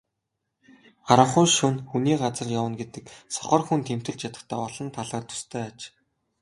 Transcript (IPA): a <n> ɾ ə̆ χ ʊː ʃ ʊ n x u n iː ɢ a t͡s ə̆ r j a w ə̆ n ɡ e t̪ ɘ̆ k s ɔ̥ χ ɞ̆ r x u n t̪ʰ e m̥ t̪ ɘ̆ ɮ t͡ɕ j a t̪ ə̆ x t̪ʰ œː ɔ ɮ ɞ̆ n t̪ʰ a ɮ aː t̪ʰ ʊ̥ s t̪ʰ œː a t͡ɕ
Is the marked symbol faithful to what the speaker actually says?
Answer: no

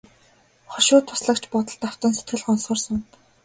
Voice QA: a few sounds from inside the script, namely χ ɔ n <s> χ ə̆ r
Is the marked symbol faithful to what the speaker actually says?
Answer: yes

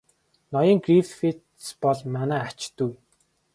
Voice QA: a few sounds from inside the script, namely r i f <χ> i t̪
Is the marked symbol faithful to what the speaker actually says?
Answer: no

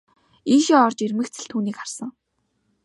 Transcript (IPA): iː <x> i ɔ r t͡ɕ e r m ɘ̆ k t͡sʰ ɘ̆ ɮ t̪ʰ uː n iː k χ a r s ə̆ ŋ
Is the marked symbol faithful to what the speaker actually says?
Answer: no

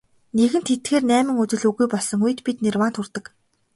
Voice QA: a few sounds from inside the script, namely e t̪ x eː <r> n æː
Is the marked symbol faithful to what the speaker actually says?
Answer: yes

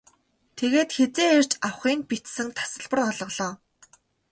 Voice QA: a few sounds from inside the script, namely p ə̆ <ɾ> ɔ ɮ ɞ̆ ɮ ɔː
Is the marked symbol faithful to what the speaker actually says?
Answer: no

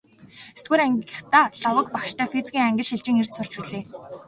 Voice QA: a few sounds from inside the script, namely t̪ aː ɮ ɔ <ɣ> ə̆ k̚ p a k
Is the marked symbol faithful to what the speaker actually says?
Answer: no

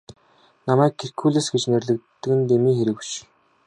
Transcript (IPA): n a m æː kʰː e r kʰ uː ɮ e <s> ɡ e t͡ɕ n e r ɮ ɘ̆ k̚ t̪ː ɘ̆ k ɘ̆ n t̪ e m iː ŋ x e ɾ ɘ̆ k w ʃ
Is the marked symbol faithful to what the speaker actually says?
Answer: yes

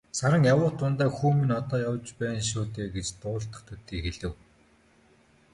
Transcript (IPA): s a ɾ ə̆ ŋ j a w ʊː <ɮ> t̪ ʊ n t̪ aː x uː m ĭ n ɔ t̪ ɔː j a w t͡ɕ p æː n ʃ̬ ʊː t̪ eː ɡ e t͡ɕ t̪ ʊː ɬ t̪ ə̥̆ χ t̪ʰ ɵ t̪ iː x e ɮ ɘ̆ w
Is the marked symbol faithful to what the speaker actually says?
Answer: no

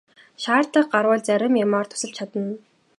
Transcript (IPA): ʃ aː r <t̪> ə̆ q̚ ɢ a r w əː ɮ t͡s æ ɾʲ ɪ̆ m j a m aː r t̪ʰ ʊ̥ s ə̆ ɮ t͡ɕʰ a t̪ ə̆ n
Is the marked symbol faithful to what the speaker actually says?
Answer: yes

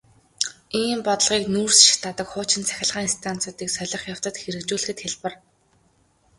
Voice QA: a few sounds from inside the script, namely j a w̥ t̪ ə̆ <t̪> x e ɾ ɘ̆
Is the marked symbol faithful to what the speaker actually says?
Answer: yes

